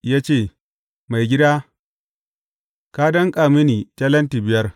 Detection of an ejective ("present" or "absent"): present